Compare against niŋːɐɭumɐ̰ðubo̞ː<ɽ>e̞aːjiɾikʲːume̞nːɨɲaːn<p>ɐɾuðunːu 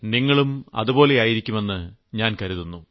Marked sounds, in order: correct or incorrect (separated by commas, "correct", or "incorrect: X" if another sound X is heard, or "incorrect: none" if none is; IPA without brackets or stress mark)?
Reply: incorrect: l, incorrect: k